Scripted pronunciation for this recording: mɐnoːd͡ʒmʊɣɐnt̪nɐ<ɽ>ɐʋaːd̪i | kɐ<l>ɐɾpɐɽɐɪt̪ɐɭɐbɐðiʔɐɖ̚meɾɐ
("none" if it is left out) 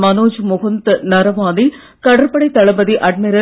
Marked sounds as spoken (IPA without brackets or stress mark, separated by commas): ɾ, ɽ